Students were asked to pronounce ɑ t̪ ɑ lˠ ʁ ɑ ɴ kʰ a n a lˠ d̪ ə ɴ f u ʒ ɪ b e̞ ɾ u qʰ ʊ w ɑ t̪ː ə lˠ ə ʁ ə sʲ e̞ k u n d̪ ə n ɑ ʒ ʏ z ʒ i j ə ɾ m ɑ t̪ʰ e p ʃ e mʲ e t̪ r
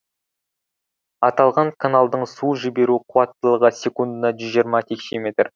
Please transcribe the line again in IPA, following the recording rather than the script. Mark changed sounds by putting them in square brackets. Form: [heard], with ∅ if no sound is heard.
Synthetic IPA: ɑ t̪ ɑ lˠ ʁ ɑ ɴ kʰ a n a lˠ d̪ ə ɴ [s] u ʒ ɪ b e̞ ɾ u qʰ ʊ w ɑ t̪ː ə lˠ ə ʁ ə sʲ e̞ k u n d̪ ə n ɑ ʒ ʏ z ʒ i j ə ɾ m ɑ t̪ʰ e [k] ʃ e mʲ e t̪ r